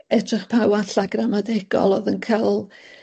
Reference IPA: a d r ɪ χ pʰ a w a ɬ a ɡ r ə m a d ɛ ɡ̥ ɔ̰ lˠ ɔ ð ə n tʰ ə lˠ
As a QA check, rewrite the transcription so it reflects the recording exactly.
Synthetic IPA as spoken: ɛ d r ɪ χ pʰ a w a ɬ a ɡ r a m a d ɛ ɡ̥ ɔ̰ lˠ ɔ ð ə n kʰ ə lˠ